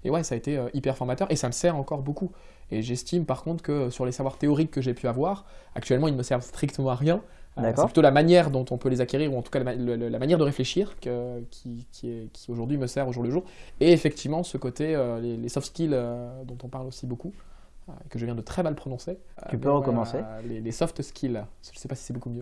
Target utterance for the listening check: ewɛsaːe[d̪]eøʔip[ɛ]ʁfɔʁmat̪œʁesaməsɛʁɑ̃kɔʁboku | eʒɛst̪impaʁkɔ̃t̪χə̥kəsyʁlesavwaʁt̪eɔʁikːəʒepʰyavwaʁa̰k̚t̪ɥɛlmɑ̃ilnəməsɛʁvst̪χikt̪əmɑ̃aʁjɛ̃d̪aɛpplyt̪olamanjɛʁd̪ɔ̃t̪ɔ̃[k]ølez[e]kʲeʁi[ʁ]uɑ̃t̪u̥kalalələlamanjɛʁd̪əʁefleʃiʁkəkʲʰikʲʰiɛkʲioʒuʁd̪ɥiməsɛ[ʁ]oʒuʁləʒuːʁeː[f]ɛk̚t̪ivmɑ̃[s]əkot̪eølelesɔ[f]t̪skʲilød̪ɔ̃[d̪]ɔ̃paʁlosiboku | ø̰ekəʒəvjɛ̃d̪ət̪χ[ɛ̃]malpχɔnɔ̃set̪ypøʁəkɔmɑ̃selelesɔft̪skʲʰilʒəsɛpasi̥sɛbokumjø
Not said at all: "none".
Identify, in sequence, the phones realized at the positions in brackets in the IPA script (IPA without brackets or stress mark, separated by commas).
t̪, ɛ, p, a, ʁ, ʁ, f, s, f, t̪, ɛ